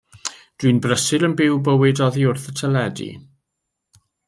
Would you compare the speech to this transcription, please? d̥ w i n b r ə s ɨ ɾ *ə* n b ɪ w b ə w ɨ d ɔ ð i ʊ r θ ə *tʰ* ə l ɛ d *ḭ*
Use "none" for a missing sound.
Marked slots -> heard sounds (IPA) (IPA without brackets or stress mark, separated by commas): ə, tʰ, ḭ